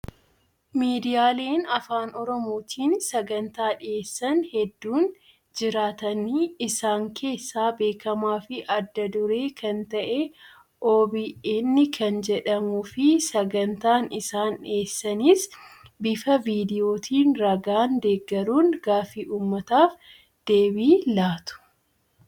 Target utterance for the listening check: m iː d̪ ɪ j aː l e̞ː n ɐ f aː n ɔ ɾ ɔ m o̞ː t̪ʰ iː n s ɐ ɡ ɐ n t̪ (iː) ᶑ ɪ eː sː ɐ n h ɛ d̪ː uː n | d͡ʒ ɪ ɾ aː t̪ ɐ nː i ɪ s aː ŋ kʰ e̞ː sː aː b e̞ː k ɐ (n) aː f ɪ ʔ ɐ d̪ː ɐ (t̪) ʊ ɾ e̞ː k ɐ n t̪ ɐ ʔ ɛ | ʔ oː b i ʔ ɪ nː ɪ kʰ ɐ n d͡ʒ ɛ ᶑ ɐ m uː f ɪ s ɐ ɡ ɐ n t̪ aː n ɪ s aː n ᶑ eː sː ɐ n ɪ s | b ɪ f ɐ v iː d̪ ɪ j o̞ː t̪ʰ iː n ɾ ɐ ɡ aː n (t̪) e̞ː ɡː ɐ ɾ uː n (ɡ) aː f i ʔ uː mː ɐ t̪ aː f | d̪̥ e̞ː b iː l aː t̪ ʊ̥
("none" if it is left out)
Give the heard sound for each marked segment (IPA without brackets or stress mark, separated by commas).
aː, m, d̪, d̪, ɡ